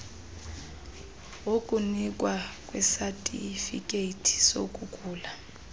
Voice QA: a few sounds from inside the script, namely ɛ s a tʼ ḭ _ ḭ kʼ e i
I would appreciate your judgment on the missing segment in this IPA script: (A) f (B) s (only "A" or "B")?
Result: A